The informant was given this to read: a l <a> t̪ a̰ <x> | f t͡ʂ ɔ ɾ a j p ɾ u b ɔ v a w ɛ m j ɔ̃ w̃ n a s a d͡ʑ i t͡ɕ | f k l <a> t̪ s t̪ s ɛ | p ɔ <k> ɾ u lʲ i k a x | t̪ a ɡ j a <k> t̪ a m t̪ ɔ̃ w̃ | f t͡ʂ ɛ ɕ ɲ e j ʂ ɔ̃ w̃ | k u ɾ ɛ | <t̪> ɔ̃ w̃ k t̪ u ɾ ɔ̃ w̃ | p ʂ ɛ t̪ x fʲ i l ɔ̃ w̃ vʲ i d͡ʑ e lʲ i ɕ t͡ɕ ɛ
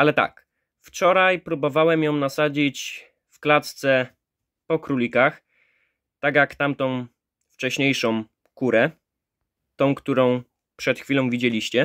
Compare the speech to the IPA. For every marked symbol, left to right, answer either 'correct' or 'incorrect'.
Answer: incorrect: ɛ, incorrect: k, correct, correct, correct, correct

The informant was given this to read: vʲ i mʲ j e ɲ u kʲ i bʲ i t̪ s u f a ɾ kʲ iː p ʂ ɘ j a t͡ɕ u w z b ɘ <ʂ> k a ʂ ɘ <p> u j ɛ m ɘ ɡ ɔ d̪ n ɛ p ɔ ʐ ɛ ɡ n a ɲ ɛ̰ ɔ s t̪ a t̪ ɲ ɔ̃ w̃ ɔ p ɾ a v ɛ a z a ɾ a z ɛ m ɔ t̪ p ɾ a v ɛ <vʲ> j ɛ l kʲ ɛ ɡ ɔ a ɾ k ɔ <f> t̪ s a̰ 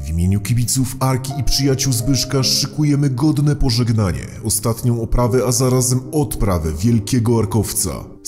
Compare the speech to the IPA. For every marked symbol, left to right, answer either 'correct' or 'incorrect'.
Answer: correct, incorrect: k, correct, correct

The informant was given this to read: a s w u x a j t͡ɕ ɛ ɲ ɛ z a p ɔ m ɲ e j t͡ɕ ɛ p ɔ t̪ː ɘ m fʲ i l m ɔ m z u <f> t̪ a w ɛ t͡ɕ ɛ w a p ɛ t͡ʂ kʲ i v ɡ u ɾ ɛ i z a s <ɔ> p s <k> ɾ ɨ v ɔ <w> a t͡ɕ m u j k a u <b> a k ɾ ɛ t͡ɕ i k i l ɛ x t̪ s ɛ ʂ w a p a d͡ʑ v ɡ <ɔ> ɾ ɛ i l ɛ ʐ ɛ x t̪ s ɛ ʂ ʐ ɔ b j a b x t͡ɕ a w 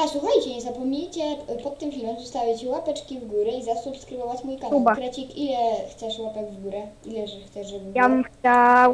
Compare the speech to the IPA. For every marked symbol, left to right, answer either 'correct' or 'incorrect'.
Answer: incorrect: s, incorrect: u, correct, incorrect: v, correct, incorrect: u

